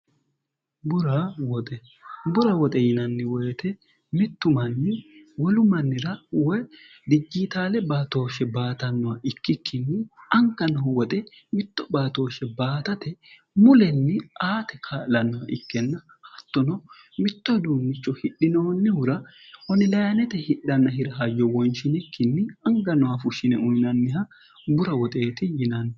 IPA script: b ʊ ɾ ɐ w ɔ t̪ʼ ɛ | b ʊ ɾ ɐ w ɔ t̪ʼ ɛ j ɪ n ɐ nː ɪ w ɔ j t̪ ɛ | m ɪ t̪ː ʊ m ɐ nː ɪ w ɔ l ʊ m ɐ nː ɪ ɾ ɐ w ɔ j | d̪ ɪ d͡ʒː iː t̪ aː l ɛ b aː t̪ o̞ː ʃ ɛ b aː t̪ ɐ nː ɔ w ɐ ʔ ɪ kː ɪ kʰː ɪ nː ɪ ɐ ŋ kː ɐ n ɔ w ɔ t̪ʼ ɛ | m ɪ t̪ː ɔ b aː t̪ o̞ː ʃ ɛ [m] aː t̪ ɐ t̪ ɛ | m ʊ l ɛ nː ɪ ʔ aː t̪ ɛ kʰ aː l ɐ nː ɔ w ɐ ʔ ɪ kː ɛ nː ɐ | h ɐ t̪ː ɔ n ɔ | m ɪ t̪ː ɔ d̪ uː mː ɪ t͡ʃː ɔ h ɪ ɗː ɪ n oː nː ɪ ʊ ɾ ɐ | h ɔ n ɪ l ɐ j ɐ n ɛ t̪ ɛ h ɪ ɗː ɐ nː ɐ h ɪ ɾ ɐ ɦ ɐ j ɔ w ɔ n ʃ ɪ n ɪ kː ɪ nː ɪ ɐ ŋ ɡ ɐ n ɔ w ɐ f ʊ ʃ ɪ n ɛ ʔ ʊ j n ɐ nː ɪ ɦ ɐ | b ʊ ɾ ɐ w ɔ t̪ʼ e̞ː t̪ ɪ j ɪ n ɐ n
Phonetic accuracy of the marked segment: incorrect: b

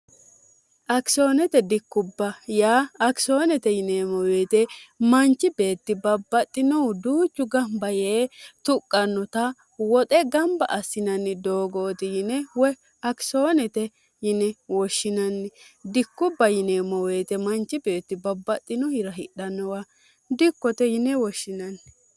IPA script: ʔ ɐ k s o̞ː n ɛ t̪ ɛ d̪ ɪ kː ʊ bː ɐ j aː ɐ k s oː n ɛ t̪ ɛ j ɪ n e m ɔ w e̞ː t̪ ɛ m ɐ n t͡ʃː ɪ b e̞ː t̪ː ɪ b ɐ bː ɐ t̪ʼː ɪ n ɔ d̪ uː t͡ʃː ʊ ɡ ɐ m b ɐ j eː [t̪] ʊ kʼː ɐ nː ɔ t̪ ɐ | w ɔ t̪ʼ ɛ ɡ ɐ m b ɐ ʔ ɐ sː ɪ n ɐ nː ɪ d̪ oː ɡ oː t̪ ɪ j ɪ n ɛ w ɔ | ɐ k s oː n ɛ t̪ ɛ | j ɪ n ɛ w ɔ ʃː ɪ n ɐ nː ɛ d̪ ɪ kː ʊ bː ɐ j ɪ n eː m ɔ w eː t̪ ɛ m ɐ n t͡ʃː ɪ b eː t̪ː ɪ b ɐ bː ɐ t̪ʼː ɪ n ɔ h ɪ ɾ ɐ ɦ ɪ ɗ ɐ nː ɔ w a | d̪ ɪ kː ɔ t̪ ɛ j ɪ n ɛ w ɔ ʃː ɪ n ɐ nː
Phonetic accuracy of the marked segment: correct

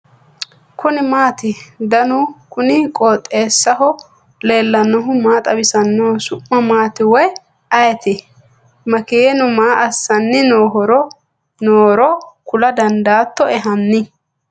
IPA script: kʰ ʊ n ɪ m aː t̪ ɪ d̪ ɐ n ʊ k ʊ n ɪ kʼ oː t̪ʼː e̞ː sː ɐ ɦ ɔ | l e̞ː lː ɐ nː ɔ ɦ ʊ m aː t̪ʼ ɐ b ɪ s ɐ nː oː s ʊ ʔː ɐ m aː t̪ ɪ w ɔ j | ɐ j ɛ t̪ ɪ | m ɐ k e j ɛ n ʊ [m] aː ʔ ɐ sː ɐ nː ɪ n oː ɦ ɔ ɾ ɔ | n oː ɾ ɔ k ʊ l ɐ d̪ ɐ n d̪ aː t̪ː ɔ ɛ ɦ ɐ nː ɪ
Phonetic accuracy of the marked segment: correct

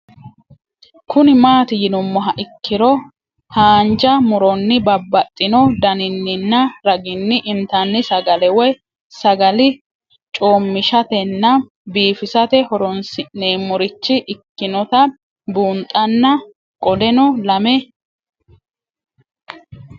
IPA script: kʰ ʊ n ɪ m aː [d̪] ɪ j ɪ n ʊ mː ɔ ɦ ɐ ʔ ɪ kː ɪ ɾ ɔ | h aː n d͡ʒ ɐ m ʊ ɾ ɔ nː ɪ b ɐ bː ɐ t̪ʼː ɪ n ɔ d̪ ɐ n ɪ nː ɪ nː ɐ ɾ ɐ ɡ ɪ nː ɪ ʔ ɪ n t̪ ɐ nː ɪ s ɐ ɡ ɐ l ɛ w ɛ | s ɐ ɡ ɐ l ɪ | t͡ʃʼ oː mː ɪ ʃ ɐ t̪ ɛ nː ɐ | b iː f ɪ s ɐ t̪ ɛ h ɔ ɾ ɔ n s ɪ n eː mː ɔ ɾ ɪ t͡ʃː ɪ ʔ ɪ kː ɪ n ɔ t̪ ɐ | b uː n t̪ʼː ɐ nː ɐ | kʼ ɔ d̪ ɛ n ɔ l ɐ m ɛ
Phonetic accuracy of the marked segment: incorrect: t̪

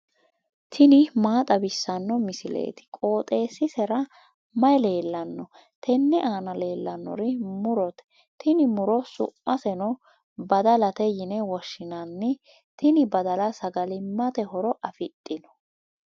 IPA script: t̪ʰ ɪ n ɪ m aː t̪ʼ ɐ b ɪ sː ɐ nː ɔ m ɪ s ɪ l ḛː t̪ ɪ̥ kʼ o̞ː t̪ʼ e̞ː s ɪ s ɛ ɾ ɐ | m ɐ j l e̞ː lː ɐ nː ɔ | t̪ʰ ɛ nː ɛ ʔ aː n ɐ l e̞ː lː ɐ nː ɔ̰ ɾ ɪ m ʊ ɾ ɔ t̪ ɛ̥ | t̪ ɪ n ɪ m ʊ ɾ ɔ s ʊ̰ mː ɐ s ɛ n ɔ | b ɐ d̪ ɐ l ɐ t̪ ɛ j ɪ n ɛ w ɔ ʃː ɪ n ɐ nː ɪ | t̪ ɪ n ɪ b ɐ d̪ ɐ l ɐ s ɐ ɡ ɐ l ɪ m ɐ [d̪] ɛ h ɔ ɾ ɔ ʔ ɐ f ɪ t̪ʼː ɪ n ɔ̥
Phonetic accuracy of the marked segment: incorrect: t̪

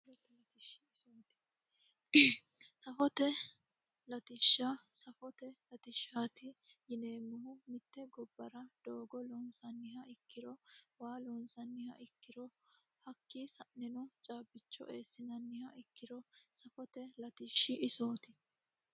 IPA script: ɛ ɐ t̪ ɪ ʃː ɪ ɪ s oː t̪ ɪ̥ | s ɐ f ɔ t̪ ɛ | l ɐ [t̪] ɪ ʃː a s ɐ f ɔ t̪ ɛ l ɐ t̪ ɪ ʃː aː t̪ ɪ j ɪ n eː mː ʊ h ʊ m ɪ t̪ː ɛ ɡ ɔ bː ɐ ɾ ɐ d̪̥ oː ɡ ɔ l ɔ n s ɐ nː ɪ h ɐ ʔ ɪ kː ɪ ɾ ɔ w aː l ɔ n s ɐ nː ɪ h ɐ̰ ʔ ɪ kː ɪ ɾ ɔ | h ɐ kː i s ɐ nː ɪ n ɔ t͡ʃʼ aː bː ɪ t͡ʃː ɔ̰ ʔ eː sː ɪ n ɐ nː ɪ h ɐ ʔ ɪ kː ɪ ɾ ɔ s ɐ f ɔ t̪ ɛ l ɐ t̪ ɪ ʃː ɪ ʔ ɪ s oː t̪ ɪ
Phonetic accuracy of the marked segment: correct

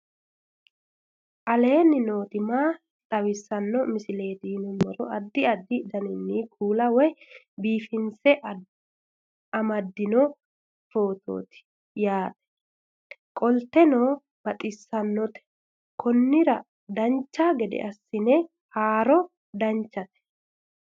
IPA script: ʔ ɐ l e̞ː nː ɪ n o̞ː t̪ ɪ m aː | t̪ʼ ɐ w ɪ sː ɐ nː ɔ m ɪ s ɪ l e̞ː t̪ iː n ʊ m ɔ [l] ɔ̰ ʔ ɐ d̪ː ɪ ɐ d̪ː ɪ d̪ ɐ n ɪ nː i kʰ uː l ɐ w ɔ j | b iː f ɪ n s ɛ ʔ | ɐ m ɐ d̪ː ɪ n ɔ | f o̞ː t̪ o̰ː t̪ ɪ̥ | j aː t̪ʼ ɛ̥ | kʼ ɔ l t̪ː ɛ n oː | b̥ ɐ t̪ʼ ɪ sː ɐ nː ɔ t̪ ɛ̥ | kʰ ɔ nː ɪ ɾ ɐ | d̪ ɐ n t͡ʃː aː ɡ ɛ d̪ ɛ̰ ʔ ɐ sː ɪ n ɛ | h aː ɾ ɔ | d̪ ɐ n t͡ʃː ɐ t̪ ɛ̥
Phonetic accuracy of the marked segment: incorrect: ɾ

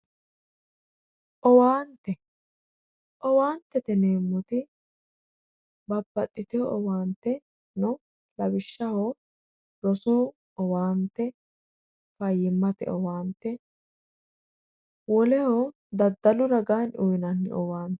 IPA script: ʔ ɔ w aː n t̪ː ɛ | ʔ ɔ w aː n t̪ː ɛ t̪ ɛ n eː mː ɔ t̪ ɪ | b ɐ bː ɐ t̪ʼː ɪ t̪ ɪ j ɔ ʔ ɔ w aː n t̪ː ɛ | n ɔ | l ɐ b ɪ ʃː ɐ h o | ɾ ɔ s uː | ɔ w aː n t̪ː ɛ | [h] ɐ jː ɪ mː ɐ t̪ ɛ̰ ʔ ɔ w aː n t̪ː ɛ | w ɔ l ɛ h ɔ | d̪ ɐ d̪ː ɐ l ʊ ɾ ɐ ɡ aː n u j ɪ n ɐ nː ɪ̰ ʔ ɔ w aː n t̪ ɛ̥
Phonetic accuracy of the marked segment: incorrect: f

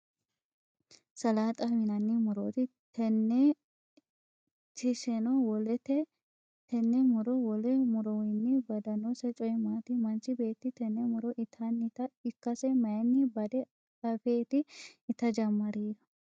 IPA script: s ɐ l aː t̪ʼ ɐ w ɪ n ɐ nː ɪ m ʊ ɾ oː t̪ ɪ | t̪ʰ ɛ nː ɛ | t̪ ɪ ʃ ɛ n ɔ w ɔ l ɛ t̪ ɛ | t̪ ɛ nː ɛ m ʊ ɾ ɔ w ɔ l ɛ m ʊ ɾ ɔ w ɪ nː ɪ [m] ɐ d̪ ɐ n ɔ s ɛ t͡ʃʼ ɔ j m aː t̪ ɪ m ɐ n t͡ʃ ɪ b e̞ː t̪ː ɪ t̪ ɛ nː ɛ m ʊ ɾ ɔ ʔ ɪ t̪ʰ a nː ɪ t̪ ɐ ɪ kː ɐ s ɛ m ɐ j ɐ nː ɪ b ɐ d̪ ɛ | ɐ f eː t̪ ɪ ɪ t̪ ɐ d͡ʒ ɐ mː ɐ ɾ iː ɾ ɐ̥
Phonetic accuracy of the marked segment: incorrect: b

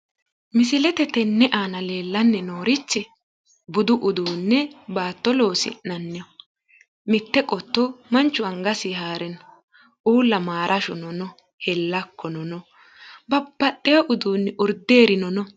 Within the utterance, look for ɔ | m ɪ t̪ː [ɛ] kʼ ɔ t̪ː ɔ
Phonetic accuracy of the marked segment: correct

